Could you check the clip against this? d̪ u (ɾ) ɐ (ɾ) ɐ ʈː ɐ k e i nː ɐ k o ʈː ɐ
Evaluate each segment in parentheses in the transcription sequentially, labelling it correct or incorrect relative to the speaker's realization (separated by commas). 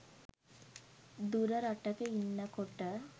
correct, correct